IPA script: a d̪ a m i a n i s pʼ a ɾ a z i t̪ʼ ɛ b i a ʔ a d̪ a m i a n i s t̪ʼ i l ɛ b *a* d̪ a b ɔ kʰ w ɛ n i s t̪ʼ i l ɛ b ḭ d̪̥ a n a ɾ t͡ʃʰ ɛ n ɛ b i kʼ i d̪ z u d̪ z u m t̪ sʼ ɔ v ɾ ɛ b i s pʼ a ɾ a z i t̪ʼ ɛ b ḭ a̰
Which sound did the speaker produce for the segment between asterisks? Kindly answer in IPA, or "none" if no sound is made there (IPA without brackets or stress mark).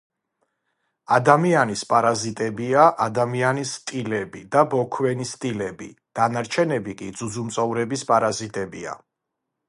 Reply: i